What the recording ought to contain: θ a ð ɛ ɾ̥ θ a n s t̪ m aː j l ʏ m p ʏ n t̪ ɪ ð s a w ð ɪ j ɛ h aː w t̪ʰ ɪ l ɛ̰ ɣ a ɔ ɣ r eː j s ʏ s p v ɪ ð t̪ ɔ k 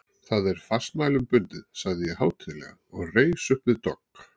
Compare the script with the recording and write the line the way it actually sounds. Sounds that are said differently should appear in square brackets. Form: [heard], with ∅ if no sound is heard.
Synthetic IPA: θ a ð ɛ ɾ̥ [f] a [∅] s t̪ m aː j l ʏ m p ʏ n t̪ ɪ ð s a [ɣ] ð ɪ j ɛ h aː w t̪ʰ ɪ l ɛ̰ ɣ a ɔ ɣ r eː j s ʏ [h] p v ɪ ð t̪ ɔ k